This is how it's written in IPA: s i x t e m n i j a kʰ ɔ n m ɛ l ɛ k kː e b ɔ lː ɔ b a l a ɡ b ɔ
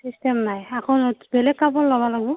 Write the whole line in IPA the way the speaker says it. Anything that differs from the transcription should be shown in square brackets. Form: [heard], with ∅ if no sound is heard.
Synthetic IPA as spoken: s i [s] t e m n [a] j a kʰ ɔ n [b] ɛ l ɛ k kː [a] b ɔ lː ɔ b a l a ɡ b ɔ